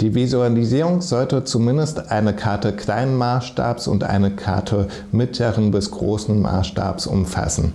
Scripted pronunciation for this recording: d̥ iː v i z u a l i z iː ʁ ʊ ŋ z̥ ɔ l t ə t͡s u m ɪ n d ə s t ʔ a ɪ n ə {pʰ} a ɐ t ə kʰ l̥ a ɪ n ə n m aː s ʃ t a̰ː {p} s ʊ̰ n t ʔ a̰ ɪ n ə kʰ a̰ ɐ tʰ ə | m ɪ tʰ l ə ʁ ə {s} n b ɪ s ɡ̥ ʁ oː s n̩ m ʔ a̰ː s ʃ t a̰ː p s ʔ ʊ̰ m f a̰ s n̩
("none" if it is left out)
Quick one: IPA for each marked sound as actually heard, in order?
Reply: kʰ, p, none

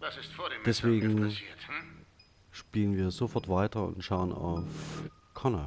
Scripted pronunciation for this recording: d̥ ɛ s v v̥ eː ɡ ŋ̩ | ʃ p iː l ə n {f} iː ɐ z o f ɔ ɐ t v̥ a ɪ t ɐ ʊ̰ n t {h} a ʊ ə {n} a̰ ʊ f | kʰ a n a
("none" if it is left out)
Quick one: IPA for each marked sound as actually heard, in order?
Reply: v, ʃ, n

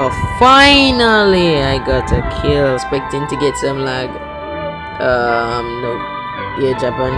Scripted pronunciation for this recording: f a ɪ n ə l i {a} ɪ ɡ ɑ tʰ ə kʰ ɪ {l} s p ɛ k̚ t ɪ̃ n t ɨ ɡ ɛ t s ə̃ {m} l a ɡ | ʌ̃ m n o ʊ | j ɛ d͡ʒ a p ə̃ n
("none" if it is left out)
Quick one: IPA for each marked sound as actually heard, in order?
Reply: a, l, m

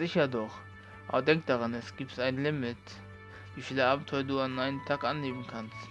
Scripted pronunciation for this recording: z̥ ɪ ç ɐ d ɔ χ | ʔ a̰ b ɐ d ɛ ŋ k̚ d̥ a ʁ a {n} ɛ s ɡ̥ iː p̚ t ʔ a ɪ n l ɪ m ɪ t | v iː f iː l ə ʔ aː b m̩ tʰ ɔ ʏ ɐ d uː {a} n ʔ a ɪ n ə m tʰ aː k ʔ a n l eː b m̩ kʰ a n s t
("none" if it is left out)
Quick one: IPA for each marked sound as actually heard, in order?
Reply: n, a

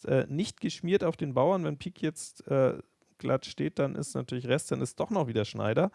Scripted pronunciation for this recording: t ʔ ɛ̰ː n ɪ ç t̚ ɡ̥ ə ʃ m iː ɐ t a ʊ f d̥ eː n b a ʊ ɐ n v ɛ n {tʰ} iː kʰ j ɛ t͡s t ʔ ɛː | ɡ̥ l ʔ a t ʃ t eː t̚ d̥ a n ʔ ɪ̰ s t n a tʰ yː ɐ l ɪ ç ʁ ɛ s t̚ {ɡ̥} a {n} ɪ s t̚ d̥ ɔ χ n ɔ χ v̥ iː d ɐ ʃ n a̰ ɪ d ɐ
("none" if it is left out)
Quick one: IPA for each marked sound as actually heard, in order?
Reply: pʰ, d̥, n

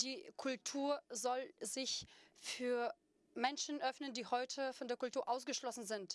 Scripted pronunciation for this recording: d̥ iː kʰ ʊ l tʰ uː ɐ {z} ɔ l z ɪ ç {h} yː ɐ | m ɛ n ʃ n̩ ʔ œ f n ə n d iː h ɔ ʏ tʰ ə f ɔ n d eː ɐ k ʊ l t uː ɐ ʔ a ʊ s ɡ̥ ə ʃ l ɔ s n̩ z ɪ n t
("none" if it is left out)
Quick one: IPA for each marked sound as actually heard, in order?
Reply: z, f

